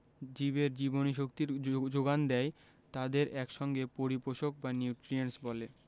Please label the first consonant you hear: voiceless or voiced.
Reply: voiced